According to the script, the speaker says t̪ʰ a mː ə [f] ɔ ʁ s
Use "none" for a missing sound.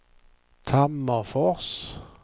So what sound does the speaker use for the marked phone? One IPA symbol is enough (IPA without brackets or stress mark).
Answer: f